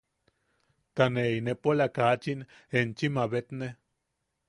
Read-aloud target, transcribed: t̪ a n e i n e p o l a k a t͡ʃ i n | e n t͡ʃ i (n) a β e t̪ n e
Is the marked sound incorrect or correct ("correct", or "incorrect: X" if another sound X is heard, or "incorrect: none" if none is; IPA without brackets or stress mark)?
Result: incorrect: m